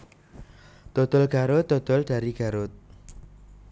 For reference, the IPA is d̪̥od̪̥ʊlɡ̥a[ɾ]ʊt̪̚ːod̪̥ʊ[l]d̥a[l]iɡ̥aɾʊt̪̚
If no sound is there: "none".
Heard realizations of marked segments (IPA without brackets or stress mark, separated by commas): ɾ, l, ɾ